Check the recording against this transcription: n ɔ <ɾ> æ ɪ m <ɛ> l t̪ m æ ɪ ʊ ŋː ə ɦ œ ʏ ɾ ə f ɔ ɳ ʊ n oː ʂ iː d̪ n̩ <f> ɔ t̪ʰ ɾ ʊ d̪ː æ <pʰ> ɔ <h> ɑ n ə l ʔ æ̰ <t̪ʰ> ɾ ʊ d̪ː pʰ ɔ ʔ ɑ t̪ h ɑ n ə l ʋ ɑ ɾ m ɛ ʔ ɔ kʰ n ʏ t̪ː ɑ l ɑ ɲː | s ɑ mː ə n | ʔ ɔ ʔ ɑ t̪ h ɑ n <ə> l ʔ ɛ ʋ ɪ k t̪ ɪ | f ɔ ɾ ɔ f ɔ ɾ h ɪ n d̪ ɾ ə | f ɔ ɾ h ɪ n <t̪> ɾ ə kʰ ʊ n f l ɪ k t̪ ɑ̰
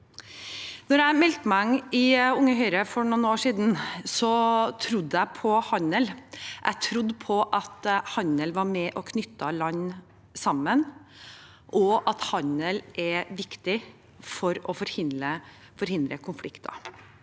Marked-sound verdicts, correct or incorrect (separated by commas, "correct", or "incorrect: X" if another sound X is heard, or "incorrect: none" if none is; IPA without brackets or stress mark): correct, correct, incorrect: s, correct, correct, correct, correct, incorrect: d̪